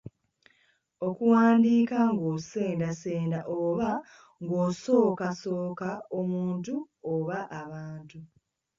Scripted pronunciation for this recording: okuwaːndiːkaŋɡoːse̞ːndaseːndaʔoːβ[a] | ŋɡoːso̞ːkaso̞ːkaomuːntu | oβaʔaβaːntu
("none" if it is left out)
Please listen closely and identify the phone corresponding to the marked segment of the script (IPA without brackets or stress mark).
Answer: a